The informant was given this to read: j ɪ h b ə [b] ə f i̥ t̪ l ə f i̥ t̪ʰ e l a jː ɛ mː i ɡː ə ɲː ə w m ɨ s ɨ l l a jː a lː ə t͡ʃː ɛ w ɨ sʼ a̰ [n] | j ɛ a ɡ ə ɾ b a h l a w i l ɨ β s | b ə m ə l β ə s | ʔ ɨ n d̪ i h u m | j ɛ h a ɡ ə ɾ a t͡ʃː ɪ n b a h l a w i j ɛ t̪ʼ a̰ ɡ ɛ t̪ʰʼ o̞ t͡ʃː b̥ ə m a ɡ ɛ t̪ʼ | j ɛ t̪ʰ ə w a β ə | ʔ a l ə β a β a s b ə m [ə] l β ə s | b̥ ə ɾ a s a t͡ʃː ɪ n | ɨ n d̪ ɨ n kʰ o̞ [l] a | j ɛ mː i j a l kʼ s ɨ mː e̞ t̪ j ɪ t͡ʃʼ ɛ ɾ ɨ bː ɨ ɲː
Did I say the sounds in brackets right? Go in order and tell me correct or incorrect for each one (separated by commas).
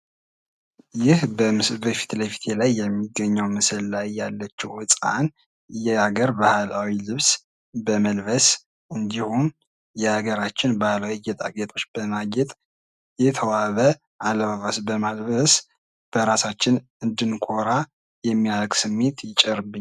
correct, correct, incorrect, incorrect